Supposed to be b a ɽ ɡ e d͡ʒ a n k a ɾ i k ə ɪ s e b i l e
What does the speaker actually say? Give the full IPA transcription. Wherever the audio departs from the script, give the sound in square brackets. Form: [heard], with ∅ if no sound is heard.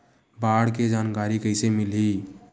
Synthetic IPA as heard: b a ɽ [k] e d͡ʒ a n k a ɾ i k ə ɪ s e [m] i l [i]